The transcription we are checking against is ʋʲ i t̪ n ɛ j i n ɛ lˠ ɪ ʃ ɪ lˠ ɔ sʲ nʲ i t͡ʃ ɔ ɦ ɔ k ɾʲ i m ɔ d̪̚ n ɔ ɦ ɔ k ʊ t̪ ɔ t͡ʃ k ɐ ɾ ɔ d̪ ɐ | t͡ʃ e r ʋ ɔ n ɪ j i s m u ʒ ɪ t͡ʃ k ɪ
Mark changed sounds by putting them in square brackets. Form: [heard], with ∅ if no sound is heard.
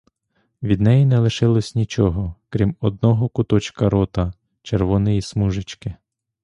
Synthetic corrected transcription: ʋʲ i [d̪] n ɛ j i n ɛ lˠ ɪ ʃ ɪ lˠ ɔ sʲ nʲ i t͡ʃ ɔ ɦ ɔ k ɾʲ i m ɔ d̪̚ n ɔ ɦ ɔ k ʊ t̪ ɔ t͡ʃ k ɐ ɾ ɔ [t̪] ɐ | t͡ʃ e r ʋ ɔ n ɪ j i s m u ʒ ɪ t͡ʃ k ɪ